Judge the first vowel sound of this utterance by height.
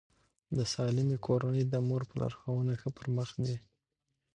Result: mid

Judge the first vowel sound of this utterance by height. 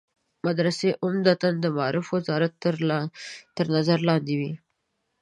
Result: low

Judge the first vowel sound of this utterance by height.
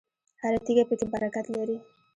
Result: low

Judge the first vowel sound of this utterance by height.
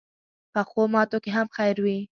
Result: mid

